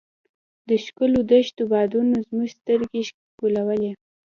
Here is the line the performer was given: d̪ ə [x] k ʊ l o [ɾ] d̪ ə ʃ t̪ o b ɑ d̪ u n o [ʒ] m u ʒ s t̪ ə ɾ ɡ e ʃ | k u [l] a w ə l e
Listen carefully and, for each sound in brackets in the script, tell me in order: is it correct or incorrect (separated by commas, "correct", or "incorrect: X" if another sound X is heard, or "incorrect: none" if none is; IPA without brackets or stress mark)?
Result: incorrect: ʃ, incorrect: none, incorrect: z, correct